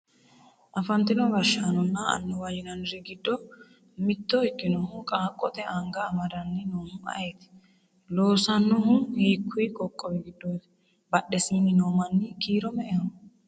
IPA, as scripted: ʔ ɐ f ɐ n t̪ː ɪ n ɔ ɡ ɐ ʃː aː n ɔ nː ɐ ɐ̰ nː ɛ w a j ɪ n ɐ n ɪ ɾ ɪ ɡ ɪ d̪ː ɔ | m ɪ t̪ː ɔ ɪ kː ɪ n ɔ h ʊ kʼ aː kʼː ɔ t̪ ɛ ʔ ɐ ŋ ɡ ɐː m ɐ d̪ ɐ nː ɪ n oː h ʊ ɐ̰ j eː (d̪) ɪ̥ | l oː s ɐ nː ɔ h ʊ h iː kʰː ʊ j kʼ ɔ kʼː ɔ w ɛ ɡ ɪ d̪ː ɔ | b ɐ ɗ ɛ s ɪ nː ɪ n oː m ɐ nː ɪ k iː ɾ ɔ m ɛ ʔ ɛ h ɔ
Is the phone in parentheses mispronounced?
yes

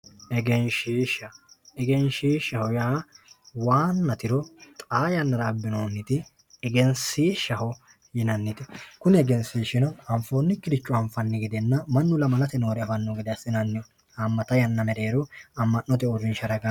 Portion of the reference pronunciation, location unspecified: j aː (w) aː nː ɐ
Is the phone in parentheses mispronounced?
no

